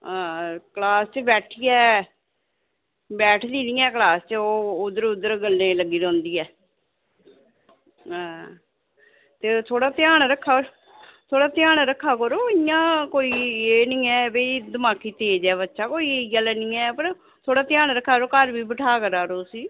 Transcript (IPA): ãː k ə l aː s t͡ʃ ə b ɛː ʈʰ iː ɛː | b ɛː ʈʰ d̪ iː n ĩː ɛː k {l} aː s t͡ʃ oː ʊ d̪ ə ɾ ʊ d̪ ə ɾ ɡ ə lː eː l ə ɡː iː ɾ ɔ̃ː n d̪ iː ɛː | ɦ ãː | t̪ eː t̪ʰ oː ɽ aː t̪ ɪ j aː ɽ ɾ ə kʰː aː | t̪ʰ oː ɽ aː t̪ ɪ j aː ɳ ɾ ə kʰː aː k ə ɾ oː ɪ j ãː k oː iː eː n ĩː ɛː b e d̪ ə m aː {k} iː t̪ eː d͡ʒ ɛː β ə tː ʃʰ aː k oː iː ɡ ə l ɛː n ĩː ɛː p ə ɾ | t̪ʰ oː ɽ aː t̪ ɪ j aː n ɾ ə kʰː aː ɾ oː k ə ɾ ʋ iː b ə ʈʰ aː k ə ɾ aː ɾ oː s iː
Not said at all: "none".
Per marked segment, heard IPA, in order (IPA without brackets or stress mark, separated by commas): l, k